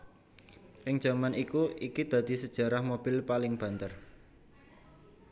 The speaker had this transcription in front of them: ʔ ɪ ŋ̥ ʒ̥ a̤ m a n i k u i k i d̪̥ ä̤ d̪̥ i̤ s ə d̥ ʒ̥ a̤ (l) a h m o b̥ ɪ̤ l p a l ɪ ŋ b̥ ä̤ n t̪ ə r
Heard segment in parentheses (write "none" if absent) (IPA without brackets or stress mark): ɾ